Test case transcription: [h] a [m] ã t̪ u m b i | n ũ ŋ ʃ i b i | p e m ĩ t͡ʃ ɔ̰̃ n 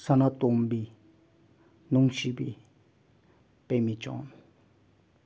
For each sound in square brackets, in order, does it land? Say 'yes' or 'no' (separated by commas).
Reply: no, no